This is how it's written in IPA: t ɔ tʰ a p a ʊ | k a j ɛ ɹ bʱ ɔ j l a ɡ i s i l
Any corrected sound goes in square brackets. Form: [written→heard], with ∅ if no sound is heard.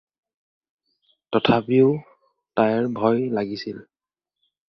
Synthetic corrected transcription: t ɔ tʰ a p [a→i] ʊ | [k→t] a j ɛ ɹ bʱ ɔ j l a ɡ i s i l